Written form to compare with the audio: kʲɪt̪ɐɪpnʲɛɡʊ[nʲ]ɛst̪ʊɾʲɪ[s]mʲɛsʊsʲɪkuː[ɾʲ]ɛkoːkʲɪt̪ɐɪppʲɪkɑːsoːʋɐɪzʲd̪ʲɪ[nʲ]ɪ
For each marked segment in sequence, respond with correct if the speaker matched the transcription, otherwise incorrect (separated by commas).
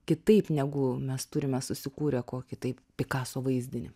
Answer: incorrect, incorrect, correct, correct